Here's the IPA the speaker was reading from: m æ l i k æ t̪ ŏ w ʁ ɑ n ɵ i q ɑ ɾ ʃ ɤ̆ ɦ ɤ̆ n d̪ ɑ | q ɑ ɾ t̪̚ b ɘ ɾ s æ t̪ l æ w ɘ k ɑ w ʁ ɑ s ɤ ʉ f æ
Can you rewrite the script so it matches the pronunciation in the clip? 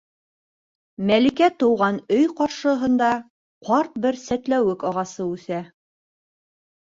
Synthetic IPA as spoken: m æ l i k æ t̪ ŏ w ʁ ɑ n ɵ j q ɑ ɾ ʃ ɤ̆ ɦ ɤ̆ n d̪ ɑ | q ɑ ɾ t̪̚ b ɘ ɾ s æ t̪ l æ w ɘ k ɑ ʁ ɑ s ɤ ʉ θ æ